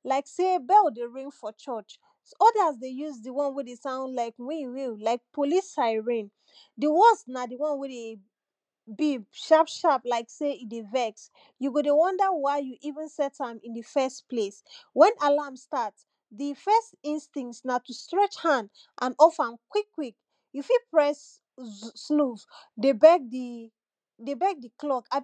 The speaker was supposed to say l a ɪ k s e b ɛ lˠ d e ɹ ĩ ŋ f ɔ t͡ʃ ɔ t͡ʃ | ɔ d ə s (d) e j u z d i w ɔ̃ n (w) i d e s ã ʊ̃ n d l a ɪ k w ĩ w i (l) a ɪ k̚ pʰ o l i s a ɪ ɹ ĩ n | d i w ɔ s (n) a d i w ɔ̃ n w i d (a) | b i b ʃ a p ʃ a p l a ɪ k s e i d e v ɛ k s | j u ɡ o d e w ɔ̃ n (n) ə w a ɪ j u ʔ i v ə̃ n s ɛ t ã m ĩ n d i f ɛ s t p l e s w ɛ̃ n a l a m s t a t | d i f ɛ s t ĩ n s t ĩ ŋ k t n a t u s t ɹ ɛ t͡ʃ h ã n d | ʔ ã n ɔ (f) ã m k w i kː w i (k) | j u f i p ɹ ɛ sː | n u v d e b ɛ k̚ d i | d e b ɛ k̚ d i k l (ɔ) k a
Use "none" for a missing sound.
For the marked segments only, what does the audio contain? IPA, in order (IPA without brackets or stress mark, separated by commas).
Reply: d, w, l, n, e, d, f, k, ɔ